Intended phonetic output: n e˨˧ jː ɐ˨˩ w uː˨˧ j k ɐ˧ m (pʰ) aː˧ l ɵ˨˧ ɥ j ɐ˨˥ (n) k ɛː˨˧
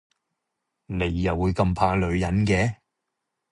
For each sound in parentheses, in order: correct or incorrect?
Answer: correct, correct

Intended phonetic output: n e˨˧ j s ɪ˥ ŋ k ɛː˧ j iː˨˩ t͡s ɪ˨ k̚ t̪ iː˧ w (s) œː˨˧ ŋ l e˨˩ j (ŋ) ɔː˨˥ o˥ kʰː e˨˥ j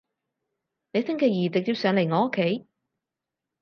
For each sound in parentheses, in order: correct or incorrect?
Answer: correct, correct

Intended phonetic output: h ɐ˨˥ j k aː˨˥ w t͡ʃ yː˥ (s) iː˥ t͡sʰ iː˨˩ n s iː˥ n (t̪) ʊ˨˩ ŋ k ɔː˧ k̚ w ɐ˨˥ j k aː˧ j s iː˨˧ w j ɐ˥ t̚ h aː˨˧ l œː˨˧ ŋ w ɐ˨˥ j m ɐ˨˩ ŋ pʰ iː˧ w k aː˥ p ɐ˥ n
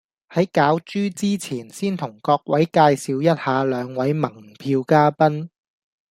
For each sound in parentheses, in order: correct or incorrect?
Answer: incorrect, incorrect

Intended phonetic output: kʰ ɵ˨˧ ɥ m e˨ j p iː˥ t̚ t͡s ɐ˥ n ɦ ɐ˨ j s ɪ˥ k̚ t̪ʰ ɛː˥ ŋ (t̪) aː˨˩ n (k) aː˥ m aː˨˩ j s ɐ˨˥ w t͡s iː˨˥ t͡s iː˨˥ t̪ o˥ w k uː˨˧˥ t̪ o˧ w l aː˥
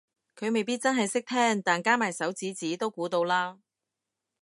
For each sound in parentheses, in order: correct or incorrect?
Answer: correct, correct

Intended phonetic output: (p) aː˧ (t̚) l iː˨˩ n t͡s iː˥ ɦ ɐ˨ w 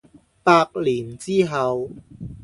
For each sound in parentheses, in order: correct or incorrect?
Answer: correct, incorrect

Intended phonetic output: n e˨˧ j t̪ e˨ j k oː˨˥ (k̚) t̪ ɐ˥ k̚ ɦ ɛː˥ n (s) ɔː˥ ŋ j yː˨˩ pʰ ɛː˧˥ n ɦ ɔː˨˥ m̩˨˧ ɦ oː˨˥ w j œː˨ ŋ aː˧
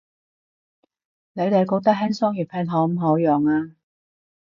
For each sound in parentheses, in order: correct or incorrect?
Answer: correct, correct

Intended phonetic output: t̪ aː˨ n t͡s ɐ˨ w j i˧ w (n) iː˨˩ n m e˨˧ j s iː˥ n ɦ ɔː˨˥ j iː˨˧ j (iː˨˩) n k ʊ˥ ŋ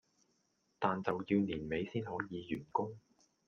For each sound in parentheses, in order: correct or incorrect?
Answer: correct, incorrect

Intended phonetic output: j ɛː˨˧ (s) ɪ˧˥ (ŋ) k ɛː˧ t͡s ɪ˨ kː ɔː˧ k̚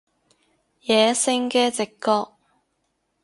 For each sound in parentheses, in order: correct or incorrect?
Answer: correct, correct

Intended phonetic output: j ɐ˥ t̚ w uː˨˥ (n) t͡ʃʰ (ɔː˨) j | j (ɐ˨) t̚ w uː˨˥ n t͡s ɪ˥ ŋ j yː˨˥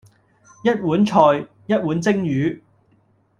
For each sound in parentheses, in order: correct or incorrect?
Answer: correct, correct, incorrect

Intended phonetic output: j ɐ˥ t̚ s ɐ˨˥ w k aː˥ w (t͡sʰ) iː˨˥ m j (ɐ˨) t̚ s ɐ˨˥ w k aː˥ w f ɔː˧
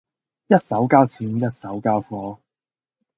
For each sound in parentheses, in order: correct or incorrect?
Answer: correct, incorrect

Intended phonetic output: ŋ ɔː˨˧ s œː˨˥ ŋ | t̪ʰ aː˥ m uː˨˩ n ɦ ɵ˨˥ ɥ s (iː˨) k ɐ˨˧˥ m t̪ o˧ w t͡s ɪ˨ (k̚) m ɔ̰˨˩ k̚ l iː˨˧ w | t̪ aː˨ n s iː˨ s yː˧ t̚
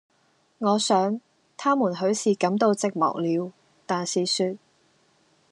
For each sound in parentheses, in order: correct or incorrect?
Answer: correct, correct

